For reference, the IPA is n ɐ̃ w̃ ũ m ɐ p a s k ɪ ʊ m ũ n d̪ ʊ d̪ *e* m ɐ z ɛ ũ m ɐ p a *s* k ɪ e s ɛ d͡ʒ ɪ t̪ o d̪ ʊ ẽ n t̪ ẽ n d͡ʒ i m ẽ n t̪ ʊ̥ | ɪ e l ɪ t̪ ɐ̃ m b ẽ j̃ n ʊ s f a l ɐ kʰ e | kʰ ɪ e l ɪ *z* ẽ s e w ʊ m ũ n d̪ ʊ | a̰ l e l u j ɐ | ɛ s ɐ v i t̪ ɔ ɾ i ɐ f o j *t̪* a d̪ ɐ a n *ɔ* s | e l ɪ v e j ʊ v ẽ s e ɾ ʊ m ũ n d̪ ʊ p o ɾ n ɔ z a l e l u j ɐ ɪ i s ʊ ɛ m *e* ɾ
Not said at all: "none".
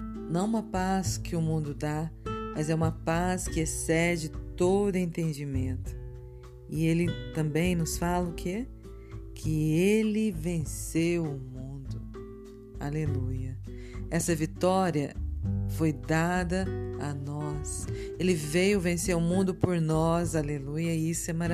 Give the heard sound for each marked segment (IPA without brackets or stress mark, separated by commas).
a, s, v, d̪, ɔ, a